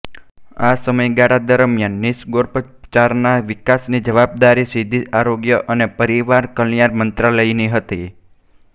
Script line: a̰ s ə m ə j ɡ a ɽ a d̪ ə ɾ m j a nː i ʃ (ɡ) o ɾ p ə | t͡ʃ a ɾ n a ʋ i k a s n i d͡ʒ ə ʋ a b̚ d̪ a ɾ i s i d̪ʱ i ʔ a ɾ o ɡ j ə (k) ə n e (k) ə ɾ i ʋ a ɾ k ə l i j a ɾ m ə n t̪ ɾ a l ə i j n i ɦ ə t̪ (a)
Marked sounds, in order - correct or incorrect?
correct, incorrect: ʔ, incorrect: p, incorrect: i

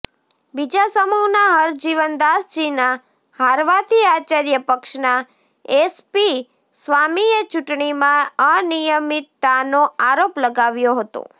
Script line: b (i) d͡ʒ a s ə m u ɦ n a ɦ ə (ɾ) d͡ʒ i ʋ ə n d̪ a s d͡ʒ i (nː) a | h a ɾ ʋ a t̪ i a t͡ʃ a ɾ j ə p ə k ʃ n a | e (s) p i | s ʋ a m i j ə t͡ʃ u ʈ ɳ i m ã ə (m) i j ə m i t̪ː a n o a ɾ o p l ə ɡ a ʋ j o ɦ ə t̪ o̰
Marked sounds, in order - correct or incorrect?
correct, correct, incorrect: n, correct, incorrect: n

